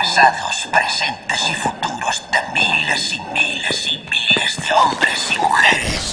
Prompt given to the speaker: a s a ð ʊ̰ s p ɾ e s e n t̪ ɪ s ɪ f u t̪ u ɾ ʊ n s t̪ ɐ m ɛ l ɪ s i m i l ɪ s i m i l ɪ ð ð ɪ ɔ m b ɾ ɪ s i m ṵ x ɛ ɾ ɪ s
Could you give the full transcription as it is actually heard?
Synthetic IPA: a s a ð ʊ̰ s p ɾ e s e n t̪ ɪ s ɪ f u t̪ u ɾ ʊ s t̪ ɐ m i l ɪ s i m i l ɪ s i m i l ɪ z ð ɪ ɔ m b ɾ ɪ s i m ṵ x ɛ ɾ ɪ s

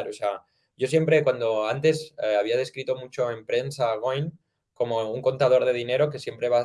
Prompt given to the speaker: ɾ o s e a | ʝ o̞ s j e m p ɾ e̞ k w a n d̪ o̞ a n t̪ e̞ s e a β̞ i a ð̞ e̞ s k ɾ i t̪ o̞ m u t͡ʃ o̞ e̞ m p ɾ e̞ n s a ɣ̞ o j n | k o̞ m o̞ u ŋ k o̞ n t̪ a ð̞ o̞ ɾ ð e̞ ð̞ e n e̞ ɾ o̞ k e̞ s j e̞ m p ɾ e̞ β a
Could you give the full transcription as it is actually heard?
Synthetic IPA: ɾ o s e a | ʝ o̞ s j e m p ɾ e̞ k w a n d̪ o̞ a n t̪ e̞ s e a β̞ i a ð̞ e̞ s k ɾ i t̪ o̞ m u t͡ʃ o̞ e̞ m p ɾ e̞ n s a ɣ̞ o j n | k o̞ m o̞ u ŋ k o̞ n t̪ a ð̞ o̞ ɾ ð e̞ ð̞ i n e̞ ɾ o̞ k e̞ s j e̞ m p ɾ e̞ β a

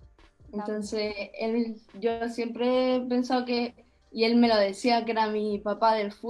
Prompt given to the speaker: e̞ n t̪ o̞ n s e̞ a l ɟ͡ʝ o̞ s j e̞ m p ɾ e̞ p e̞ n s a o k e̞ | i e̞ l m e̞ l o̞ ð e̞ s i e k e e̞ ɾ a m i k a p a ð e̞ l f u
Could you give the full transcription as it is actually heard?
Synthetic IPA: e̞ n t̪ o̞ n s e̞ e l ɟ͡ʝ o̞ s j e̞ m p ɾ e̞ p e̞ n s a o k e̞ | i e̞ l m e̞ l o̞ ð e̞ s i a k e e̞ ɾ a m i p a p a ð e̞ l f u

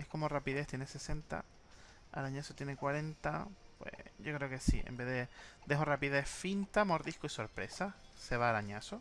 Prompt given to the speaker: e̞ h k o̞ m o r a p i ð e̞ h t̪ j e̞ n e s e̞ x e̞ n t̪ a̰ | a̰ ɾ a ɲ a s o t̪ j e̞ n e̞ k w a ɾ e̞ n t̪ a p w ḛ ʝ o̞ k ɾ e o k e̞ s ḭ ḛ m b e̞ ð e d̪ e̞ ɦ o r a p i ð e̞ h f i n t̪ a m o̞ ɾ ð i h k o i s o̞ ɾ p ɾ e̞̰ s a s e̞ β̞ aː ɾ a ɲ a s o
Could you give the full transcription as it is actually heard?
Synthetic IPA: e̞ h k o̞ m o r a p i ð e̞ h t̪ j e̞ n e s e̞ s e̞ n t̪ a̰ | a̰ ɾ a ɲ a s o t̪ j e̞ n e̞ k w a ɾ e̞ n t̪ a p w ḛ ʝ o̞ k ɾ e o k e̞ s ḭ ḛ m b e̞ ð e d̪ e̞ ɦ o r a p i ð e̞ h f i n t̪ a m o̞ ɾ ð i h k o i s o̞ ɾ p ɾ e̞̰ s a s e̞ β̞ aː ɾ a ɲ a s o

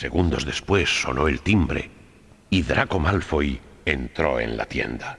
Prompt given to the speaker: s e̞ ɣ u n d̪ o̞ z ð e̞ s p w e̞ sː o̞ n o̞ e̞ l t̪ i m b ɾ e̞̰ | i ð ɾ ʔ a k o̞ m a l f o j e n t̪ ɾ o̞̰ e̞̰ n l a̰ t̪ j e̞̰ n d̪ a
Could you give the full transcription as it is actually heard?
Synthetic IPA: s e̞ ɣ u n d̪ o̞ z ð e̞ s p w e̞ sː o̞ n o̞ e̞ l t̪ i m b ɾ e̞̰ | i ð ɾ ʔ a k o̞ m a l f o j e n t̪ ɾ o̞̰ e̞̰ n l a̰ t̪ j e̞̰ n d̪ a

